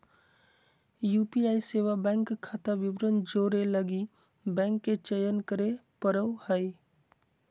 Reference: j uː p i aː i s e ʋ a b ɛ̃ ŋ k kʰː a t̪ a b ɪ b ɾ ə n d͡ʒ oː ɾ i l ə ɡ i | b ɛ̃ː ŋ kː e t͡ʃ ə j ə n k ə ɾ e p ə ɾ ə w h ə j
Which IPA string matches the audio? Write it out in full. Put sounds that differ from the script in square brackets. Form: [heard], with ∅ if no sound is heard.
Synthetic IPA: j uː p i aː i s e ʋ a b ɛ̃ ŋ k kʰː a t̪ a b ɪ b ɾ ə n d͡ʒ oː ɾ [e] l ə ɡ i | b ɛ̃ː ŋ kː e t͡ʃ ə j ə n k ə ɾ e p ə ɾ ə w h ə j